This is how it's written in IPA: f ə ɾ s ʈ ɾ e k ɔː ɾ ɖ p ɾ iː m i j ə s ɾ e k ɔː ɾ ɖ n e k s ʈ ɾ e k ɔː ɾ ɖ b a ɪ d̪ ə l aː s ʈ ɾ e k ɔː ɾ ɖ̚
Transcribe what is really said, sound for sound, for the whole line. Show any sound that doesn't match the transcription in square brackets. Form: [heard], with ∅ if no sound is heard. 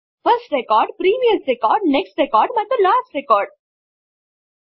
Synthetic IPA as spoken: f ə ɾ s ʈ ɾ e k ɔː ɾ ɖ p ɾ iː m i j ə s ɾ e k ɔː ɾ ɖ n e k s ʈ ɾ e k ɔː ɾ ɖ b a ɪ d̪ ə l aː s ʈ ɾ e k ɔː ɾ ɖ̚